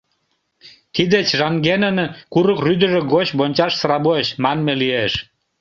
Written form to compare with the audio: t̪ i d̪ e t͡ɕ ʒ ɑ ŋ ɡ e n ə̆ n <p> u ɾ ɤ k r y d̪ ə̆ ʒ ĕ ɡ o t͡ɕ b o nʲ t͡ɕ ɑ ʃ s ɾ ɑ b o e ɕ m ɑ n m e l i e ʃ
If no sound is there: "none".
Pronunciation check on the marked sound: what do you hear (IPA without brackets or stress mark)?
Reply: k